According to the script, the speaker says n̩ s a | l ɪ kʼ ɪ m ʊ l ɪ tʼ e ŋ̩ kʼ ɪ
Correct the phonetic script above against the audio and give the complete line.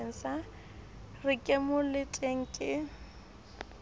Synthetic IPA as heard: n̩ s a | r ɪ kʼ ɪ m ʊ l ɪ tʼ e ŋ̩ kʼ ɪ